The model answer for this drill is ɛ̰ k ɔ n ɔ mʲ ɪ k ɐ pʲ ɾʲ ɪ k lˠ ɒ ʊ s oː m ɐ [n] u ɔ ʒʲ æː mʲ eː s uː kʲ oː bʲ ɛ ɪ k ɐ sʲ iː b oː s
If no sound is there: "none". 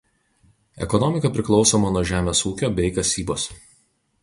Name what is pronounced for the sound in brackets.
n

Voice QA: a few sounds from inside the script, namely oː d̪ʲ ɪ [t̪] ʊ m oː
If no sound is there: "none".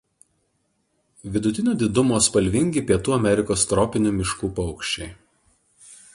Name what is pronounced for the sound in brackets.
d̪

